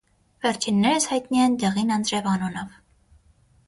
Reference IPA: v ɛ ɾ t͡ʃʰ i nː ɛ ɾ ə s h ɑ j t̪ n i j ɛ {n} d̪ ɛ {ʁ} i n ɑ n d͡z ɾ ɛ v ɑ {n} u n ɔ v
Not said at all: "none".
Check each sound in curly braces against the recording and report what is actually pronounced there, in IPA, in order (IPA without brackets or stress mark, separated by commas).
n, ʁ, n